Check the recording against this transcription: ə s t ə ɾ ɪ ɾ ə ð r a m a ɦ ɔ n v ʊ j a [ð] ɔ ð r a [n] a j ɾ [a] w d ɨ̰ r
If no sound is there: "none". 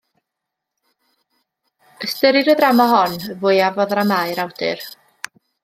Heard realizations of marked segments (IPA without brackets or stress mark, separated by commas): v, m, a